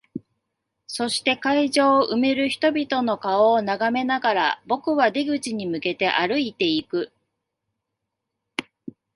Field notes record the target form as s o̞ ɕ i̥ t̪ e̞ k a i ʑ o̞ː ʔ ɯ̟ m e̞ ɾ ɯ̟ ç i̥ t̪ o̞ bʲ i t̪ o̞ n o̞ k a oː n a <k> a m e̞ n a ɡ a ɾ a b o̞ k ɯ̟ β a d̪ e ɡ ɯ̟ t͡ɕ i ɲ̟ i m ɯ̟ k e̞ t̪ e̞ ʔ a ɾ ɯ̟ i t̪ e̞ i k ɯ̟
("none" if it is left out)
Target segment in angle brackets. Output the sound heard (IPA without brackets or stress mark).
ɡ